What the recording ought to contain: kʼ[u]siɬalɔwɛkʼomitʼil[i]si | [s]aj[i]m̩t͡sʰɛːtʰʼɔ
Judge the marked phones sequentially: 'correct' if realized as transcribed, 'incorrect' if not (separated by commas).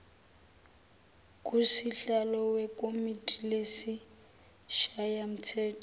correct, incorrect, incorrect, incorrect